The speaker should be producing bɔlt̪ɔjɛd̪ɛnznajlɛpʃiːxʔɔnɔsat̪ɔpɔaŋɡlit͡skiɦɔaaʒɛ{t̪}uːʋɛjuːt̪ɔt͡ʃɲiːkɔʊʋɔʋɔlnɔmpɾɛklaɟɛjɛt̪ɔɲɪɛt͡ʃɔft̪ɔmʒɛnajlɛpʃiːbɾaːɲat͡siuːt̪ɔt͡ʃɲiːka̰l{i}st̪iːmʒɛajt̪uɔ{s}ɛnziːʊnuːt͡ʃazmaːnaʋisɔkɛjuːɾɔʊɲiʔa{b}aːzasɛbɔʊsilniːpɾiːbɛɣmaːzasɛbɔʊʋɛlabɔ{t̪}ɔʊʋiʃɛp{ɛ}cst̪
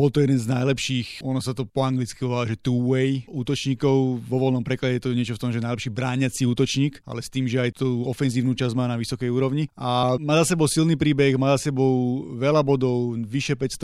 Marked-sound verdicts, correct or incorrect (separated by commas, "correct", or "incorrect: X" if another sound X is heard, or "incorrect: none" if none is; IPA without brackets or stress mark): correct, incorrect: ɛ, incorrect: f, incorrect: m, incorrect: d̪, correct